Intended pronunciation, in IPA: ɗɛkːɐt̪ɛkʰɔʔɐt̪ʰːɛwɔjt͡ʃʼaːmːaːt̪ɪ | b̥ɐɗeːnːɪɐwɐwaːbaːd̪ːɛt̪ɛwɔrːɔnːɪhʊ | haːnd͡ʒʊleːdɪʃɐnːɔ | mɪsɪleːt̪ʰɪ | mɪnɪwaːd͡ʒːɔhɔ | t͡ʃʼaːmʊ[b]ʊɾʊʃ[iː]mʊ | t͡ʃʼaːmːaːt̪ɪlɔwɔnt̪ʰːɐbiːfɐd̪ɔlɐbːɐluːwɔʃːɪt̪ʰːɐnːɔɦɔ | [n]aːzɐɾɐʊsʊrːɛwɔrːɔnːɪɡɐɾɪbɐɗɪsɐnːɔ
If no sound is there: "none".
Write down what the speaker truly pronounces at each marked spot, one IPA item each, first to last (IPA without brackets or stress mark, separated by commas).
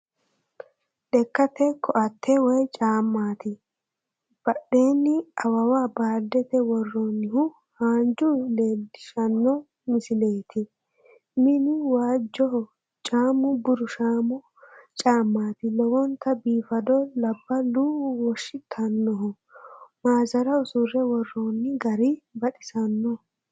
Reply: b, aː, m